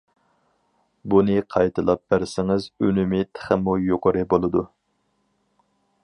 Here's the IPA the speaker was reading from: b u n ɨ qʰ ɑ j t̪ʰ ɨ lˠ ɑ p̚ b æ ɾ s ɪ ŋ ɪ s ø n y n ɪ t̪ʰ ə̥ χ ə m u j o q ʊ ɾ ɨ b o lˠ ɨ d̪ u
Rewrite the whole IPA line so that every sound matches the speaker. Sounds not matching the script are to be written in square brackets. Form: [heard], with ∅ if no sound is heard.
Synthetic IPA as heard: b u n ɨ qʰ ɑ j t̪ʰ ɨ lˠ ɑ p̚ b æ ɾ s ɪ ŋ ɪ [z] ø n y [m] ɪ t̪ʰ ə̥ χ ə m u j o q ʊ ɾ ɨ b o lˠ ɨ d̪ u